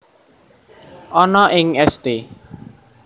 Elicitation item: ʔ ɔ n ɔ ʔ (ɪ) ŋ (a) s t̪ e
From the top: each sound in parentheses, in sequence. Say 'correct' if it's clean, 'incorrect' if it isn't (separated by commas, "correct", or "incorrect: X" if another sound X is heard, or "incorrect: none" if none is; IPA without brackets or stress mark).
correct, incorrect: ɛ